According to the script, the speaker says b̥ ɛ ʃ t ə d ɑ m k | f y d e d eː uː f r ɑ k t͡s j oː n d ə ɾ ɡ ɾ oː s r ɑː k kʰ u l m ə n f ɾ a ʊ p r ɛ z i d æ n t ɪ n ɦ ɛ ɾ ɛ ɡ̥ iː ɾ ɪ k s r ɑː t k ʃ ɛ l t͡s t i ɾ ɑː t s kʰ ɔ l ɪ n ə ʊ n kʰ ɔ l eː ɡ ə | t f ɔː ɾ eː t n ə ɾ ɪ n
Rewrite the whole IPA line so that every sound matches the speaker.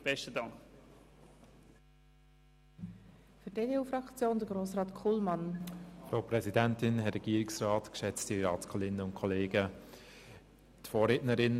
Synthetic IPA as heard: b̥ ɛ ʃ t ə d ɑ ŋ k | f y d e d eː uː f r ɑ k t͡s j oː n d ə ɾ ɡ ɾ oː s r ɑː t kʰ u l m ɑ n f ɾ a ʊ p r ɛ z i d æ n t ɪ n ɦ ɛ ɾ ɛ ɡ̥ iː ɾ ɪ k s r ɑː t k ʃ ɛ t͡s t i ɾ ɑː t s kʰ ɔ l ɪ n ə ʊ n kʰ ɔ l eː ɡ ə | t f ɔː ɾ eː t n ə ɾ ɪ n